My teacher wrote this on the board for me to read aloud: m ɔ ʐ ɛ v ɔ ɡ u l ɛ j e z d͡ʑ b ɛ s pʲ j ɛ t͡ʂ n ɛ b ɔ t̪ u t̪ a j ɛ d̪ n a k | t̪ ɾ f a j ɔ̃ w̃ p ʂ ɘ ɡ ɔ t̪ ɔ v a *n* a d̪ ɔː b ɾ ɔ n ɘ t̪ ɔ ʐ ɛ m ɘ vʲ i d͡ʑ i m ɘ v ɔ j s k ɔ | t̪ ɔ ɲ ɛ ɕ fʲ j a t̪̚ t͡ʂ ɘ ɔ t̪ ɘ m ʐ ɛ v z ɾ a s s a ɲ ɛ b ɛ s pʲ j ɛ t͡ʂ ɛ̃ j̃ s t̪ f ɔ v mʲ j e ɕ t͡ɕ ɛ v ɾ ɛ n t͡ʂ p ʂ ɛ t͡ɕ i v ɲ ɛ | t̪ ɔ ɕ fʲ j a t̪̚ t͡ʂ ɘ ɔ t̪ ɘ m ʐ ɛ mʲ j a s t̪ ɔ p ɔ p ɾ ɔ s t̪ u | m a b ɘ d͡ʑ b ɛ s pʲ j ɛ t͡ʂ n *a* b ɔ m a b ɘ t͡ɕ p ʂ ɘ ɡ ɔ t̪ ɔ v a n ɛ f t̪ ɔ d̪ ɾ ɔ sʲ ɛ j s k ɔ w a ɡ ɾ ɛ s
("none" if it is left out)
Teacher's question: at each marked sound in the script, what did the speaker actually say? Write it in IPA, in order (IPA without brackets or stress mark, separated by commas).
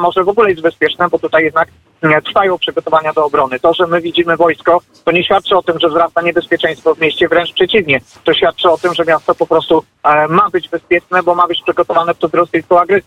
ɲ, ɛ